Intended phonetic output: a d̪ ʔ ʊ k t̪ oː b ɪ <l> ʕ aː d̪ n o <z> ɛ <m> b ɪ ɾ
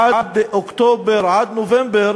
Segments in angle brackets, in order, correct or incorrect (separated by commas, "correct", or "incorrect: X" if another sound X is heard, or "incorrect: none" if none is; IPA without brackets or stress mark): incorrect: ɾ, incorrect: v, correct